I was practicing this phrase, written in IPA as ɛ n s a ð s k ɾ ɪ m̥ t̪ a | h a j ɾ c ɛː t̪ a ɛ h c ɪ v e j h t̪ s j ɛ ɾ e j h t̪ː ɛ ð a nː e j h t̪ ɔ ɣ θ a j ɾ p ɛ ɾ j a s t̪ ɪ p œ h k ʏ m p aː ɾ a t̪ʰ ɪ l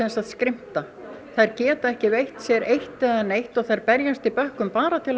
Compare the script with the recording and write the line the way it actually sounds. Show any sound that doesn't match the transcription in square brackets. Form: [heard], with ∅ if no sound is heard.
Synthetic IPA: ɛ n s a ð s k ɾ ɪ m̥ t̪ a | [θ] a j ɾ c ɛː t̪ a ɛ h c ɪ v e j h t̪ s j ɛ ɾ e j h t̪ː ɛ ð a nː e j h t̪ ɔ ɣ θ a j ɾ p ɛ ɾ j a s t̪ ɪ p œ h k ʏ m p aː ɾ a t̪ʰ ɪ l